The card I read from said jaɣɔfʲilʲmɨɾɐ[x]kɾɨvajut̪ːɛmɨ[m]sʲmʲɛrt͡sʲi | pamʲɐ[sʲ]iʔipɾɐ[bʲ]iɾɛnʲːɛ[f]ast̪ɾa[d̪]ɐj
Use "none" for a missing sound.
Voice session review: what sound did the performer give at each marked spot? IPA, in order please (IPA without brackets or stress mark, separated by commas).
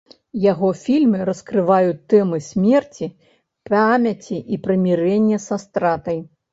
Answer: s, none, t͡sʲ, mʲ, s, t̪